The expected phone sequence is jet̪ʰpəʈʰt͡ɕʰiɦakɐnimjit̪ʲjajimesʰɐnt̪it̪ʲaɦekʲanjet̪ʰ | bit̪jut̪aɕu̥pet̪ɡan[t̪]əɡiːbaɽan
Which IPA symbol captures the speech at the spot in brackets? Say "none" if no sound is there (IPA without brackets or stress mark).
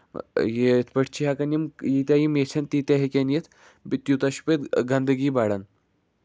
d̪